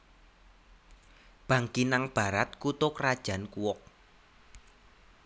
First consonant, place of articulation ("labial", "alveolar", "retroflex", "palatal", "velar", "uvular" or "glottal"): labial